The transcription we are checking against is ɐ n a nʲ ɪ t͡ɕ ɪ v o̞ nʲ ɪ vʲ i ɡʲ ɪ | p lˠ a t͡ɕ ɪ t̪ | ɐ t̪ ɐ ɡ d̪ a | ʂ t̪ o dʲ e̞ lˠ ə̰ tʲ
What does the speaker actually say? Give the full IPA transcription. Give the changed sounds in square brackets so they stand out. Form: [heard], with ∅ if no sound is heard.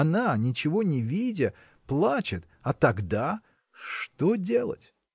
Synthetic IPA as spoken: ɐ n a nʲ ɪ t͡ɕ ɪ v o̞ nʲ ɪ vʲ i [dʲ] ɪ | p lˠ a t͡ɕ ɪ t̪ | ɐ t̪ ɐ ɡ d̪ a | ʂ t̪ o dʲ e̞ lˠ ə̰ tʲ